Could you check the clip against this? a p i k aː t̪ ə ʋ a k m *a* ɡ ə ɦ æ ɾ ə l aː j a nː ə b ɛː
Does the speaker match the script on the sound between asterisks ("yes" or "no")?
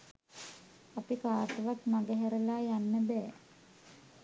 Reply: yes